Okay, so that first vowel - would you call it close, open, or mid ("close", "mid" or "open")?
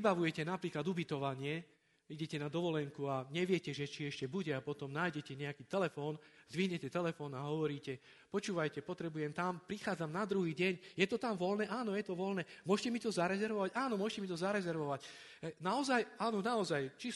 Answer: open